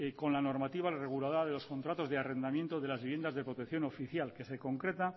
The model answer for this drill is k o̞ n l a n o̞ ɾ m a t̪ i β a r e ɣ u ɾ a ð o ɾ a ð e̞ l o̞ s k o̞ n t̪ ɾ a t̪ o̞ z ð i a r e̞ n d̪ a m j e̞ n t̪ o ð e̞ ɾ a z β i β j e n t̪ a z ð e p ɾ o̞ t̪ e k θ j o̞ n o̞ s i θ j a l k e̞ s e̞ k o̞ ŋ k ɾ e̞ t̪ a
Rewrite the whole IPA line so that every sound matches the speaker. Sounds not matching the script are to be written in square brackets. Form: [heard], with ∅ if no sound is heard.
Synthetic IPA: k o̞ n l a n o̞ ɾ m a t̪ i β a r e ɣ u [l] a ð o ɾ a ð e̞ l o̞ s k o̞ n t̪ ɾ a t̪ o̞ z ð [e] a r e̞ n d̪ a m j e̞ n t̪ o ð e̞ [l] a z β i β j e n [d̪] a z ð e p ɾ o̞ t̪ e k θ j o̞ n o̞ [f] i θ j a l k e̞ s e̞ k o̞ ŋ k ɾ e̞ t̪ a